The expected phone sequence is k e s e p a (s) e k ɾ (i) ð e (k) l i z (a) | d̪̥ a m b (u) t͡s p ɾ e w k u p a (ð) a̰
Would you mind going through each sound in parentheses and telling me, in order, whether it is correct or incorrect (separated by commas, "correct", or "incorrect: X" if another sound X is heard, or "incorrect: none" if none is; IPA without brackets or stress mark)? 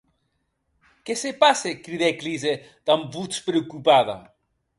correct, correct, correct, incorrect: e, correct, correct